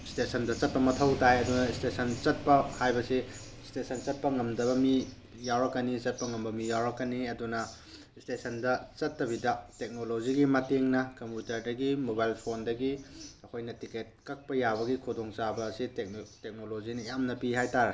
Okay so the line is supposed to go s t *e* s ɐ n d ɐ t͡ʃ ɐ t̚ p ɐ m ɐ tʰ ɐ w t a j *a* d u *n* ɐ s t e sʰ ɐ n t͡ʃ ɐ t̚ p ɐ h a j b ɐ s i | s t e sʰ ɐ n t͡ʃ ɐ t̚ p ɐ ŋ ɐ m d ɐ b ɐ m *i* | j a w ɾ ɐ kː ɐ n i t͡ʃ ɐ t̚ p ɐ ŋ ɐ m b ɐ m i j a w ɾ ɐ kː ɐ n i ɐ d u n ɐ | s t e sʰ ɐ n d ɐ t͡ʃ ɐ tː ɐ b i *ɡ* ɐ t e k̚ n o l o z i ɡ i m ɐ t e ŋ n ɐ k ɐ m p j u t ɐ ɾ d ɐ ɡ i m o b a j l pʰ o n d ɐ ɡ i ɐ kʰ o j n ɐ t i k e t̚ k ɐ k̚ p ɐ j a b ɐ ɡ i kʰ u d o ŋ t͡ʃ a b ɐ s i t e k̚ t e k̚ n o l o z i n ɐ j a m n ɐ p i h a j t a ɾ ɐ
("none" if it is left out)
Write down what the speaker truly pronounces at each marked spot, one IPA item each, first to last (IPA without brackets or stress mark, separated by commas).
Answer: e, ɐ, n, i, d